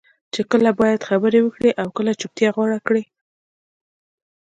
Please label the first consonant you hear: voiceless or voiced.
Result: voiceless